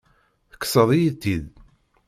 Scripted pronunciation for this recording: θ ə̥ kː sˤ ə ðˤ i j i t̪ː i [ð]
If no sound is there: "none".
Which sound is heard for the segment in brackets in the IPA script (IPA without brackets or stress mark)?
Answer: ð